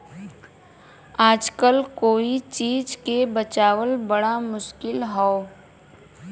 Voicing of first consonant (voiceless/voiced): voiced